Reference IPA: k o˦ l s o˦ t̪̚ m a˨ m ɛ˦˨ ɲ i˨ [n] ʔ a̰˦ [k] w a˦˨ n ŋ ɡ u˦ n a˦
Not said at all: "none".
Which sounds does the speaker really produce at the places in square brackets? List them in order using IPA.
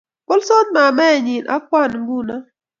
n, k

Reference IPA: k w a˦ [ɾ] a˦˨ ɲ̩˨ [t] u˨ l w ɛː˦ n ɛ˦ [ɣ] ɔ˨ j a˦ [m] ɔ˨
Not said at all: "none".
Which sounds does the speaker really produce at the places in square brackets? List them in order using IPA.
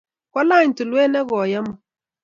l, t, ɣ, m

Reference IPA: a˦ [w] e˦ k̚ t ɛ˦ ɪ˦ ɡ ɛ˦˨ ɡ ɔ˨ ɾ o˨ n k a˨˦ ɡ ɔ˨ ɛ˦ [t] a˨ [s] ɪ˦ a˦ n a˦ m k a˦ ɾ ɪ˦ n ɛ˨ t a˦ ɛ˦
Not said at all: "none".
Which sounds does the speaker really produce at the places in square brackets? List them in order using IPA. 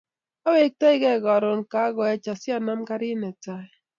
w, t͡ʃ, s

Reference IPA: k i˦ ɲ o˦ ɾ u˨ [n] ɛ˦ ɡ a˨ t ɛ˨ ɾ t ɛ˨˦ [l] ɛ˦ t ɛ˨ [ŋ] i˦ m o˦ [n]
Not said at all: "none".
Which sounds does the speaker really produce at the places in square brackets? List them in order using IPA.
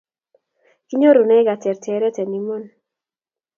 n, ɾ, n, n

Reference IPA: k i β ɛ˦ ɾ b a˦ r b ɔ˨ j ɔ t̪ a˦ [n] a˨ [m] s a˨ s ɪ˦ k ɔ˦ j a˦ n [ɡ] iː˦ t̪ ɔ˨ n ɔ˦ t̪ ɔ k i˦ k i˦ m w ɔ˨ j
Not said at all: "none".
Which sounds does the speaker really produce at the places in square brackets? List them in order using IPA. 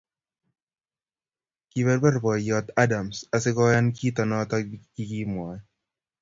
d, m, k

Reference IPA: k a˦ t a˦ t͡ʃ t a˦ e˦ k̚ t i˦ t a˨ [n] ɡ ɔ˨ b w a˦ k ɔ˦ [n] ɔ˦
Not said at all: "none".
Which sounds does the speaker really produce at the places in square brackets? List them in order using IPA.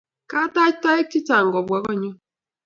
ŋ, ɲ

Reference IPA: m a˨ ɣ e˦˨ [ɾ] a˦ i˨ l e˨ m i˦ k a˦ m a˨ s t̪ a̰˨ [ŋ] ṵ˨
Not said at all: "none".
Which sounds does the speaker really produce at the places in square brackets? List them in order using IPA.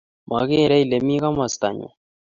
ɾ, ɲ

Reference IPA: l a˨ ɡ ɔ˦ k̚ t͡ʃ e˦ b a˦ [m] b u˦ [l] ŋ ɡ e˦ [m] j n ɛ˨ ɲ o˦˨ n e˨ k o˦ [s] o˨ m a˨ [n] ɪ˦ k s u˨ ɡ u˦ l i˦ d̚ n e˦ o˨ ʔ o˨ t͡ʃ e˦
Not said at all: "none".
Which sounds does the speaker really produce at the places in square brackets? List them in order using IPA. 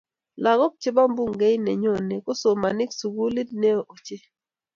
m, none, none, s, n

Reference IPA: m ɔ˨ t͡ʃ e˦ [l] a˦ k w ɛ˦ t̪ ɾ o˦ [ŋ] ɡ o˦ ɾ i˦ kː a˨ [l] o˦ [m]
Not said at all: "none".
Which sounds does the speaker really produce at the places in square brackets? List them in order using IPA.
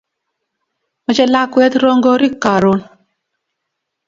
l, ŋ, ɾ, n

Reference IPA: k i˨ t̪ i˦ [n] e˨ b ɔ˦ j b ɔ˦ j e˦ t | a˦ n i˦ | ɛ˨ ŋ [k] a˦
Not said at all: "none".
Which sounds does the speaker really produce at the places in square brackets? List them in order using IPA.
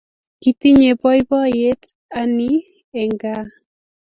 ɲ, ɡ

